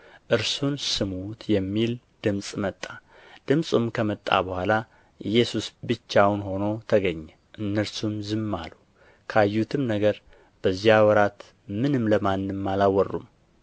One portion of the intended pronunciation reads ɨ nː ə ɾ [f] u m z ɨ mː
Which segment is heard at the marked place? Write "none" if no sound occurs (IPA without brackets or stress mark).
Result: s